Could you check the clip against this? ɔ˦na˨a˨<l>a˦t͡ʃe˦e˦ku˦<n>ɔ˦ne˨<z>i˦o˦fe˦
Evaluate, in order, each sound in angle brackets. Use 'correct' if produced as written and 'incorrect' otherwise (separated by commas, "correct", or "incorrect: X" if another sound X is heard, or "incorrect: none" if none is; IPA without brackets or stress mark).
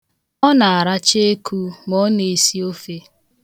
incorrect: ɾ, incorrect: m, incorrect: s